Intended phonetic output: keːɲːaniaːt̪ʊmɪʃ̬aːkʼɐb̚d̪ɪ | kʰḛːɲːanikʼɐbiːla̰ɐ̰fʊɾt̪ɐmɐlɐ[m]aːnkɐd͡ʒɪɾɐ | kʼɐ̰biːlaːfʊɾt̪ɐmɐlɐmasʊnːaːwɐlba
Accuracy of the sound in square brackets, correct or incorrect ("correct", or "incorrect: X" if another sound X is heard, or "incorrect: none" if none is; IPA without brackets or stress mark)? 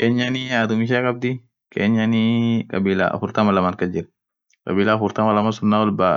correct